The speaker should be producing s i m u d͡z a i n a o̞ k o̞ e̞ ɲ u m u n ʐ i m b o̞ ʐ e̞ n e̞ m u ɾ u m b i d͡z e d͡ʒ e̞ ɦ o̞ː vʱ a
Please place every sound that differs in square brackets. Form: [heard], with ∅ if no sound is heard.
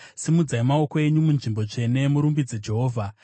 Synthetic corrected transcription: s i m u d͡z a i [m] a o̞ k o̞ e̞ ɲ u m u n ʐ i m b o̞ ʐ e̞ n e̞ m u ɾ u m b i d͡z e d͡ʒ e̞ ɦ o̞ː vʱ a